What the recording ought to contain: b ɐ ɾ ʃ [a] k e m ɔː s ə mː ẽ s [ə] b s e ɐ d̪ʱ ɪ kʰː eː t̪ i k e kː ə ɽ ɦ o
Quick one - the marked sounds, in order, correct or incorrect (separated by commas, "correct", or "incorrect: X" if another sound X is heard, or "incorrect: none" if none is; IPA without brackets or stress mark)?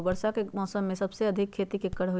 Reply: correct, incorrect: ɐ